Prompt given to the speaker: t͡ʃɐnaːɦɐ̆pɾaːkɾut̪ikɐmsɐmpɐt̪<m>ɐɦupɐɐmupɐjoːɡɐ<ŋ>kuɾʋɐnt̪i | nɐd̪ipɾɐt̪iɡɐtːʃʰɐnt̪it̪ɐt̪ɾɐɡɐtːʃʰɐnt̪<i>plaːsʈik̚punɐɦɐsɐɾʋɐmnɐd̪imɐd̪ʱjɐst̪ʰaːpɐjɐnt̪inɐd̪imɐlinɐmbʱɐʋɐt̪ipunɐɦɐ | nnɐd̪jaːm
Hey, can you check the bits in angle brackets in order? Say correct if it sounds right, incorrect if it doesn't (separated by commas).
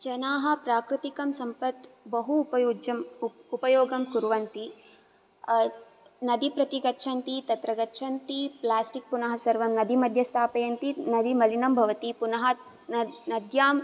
incorrect, incorrect, correct